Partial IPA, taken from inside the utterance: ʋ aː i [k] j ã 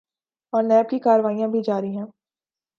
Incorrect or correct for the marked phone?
incorrect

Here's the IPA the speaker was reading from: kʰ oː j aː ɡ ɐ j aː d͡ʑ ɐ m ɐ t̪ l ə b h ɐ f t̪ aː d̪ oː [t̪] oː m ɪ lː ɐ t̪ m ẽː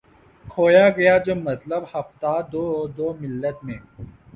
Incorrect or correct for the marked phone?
incorrect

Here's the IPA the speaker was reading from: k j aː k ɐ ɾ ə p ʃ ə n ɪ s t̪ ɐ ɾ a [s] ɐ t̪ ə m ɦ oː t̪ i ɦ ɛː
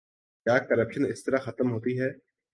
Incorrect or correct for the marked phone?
incorrect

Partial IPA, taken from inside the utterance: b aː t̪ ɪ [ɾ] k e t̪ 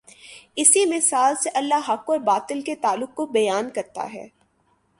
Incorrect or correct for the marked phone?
incorrect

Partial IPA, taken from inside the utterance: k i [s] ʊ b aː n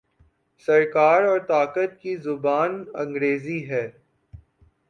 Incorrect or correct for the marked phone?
incorrect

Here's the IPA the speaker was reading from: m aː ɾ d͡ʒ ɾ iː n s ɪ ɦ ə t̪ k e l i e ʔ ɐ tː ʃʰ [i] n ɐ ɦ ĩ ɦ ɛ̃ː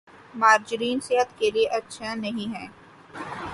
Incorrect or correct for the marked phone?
incorrect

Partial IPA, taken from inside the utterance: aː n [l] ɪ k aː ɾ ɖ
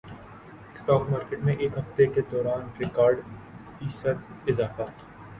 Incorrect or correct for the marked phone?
incorrect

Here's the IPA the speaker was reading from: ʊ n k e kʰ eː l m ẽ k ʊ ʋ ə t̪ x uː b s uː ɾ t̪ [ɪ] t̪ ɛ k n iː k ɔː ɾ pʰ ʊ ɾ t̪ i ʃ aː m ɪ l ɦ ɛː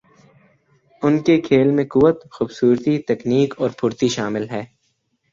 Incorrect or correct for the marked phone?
incorrect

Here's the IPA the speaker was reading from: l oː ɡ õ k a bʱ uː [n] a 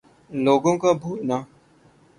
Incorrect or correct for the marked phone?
correct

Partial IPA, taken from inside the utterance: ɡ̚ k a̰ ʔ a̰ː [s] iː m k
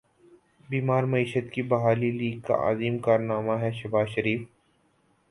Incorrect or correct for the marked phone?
incorrect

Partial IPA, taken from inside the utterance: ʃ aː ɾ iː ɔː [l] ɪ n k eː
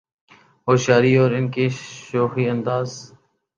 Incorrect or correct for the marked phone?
incorrect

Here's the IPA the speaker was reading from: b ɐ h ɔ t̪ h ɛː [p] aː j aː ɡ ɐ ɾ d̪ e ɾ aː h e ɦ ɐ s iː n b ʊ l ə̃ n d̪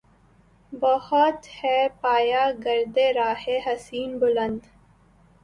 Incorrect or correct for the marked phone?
correct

